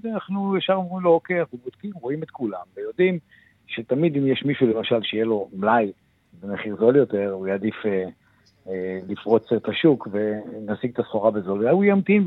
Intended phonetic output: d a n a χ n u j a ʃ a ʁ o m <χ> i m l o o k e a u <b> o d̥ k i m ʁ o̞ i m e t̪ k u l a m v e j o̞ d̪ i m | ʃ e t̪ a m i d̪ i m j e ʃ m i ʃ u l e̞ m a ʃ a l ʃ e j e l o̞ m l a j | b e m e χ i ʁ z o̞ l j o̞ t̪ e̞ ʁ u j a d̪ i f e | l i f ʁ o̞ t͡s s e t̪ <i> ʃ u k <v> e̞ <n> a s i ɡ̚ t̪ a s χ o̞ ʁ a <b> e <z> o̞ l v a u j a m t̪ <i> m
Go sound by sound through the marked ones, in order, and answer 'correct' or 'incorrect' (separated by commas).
incorrect, correct, incorrect, correct, correct, correct, correct, correct